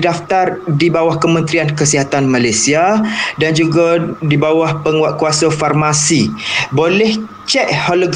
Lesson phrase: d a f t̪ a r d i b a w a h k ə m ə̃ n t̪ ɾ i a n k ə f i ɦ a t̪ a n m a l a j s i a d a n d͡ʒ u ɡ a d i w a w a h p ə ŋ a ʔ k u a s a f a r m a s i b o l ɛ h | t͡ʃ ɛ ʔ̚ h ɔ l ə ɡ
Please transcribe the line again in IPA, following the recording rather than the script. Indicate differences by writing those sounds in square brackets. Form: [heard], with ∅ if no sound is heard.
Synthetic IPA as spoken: d a f t̪ a r d i b a w a h k ə m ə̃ n t̪ ɾ i a n k ə [s] i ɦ a t̪ a n m a l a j s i a d a n d͡ʒ u ɡ a d i [b] a w a h p ə ŋ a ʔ k u a s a f a r m a s i b o l ɛ h | t͡ʃ ɛ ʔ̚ h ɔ l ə ɡ